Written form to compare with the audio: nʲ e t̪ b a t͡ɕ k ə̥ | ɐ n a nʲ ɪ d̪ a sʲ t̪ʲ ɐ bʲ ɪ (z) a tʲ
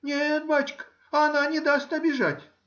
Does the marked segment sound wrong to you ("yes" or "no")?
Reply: yes